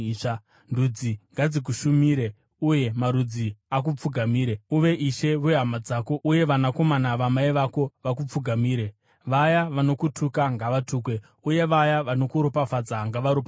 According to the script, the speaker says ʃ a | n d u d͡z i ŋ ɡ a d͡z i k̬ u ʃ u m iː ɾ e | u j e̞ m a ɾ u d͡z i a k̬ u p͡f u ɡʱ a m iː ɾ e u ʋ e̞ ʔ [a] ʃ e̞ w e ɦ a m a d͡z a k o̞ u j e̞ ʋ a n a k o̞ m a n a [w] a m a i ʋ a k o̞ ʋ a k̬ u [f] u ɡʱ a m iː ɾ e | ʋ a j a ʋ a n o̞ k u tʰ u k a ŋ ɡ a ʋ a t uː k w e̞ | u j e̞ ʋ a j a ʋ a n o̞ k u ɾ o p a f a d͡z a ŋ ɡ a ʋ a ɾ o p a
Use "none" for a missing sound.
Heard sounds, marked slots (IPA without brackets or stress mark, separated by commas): i, ʋ, p͡f